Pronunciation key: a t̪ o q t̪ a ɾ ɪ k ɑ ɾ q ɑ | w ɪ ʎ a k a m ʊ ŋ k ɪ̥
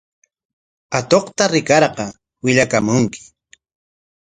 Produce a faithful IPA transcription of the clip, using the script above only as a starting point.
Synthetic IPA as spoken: a t̪ o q t̪ a ɾ ɪ k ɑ ɾ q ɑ | w ɪ ʎ a k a m ʊ ŋ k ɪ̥